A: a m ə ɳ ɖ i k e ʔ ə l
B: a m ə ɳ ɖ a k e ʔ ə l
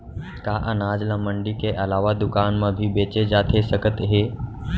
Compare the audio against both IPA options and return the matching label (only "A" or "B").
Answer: A